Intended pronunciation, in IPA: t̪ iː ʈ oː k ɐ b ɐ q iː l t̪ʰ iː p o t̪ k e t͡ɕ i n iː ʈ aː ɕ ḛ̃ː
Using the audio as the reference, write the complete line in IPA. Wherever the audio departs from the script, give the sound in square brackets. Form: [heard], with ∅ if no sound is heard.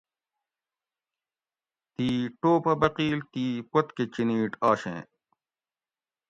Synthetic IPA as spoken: t̪ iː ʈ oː [p] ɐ b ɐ q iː l [t̪] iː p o t̪ k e t͡ɕ i n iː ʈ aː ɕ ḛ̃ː